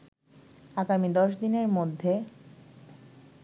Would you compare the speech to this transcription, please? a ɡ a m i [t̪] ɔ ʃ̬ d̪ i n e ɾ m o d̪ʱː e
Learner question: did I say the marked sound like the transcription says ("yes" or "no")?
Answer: no